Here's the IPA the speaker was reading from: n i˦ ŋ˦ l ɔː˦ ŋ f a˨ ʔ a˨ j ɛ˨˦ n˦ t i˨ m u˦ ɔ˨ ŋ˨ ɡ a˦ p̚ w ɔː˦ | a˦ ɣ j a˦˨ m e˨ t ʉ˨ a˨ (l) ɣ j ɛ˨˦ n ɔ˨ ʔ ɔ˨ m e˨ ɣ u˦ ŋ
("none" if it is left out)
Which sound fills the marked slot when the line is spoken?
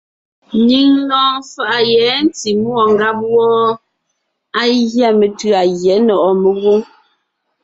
none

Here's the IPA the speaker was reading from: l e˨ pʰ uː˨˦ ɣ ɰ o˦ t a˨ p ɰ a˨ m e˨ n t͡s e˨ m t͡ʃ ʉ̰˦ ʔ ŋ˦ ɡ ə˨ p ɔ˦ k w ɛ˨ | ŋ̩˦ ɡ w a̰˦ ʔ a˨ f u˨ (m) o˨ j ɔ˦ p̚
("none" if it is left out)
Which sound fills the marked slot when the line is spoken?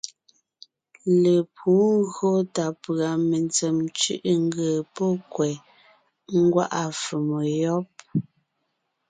m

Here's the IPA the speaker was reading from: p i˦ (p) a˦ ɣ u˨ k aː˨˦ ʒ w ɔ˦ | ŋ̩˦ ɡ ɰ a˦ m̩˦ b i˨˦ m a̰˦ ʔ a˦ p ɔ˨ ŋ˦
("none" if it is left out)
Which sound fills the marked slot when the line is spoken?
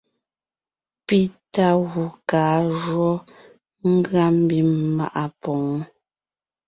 t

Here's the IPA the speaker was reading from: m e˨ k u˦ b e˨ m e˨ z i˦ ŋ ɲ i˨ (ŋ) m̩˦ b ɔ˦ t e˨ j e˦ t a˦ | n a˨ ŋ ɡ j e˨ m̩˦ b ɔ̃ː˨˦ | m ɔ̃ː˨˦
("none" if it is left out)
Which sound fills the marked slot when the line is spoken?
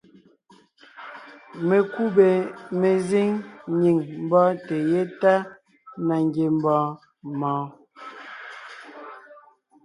ŋ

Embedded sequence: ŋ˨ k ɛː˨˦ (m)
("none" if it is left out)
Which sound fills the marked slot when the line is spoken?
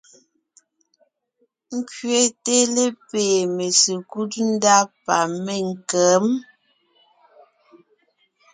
m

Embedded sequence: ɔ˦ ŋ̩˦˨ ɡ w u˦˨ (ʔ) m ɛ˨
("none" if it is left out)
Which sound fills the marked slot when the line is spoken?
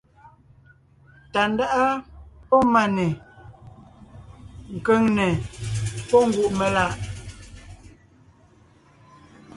ʔ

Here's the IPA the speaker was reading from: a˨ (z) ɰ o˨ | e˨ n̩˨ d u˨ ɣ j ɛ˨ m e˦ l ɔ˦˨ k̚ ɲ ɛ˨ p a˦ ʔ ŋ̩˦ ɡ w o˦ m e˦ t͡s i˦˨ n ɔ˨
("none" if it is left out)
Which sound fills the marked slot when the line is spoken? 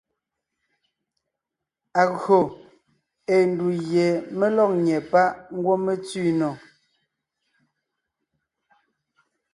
ɣ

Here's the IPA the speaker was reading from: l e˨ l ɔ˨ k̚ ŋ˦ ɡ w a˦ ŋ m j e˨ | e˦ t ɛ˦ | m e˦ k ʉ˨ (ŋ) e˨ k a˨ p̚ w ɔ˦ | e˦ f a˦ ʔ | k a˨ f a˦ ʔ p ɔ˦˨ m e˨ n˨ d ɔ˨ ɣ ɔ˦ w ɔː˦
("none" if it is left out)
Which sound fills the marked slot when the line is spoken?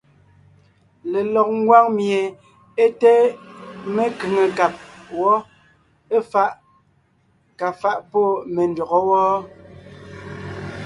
ŋ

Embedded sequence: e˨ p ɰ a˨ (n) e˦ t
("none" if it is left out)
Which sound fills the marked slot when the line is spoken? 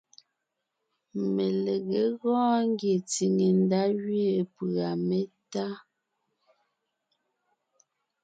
m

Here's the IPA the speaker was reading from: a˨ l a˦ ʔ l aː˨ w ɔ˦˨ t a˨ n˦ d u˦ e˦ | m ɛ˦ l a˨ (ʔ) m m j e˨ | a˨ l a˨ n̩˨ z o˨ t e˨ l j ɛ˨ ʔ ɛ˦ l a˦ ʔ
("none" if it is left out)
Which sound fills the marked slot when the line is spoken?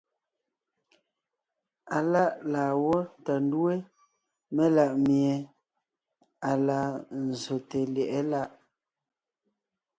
ʔ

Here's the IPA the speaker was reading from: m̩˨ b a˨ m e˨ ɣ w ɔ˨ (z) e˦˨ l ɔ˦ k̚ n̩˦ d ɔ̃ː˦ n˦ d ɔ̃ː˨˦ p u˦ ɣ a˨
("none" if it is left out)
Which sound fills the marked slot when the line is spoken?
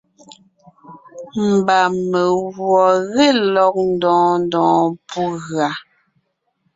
ɣ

